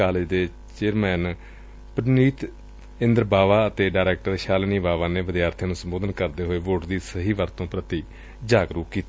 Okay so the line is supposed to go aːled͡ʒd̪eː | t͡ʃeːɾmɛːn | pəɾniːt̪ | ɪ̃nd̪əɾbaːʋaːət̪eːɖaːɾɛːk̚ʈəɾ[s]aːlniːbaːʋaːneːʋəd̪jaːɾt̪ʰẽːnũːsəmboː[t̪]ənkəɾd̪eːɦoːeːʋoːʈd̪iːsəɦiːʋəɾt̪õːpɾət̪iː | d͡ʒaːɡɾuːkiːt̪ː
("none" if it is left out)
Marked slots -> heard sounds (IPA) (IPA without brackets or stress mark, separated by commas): ʃ, d̪